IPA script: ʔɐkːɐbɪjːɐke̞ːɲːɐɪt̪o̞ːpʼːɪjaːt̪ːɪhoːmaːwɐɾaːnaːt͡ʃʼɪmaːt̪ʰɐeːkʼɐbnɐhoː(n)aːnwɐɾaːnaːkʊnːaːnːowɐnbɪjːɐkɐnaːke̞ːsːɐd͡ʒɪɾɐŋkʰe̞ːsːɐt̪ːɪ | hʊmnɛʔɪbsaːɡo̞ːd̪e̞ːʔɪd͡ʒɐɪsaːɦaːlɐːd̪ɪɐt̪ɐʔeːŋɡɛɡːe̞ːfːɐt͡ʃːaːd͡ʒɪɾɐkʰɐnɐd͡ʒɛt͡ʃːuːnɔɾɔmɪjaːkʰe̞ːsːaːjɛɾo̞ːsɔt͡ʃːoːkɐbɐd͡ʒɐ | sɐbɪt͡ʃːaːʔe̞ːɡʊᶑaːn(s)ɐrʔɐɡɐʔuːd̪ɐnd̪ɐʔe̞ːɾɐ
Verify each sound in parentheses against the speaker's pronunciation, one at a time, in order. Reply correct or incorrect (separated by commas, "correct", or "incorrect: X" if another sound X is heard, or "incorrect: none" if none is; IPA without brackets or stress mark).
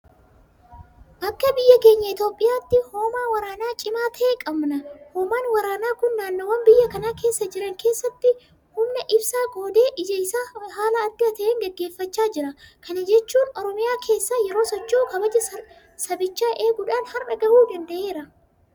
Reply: incorrect: m, incorrect: h